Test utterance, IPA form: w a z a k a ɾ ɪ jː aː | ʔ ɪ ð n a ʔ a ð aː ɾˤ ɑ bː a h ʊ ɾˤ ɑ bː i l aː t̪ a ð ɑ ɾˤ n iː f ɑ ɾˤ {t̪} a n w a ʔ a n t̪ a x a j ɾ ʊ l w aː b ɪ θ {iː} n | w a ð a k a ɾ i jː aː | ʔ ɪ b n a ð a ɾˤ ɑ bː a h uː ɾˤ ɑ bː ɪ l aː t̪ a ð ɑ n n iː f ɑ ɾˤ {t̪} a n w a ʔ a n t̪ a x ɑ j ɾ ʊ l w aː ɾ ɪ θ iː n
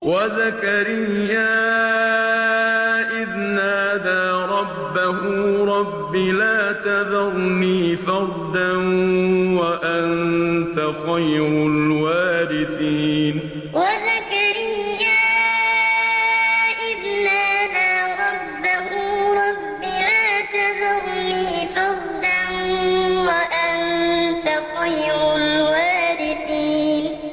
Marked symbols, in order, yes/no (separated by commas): no, yes, no